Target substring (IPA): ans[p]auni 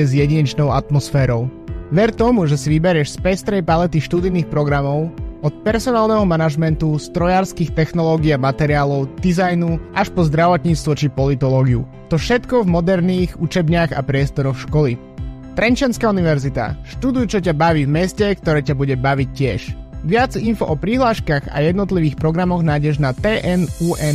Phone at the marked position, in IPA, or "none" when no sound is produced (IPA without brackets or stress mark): k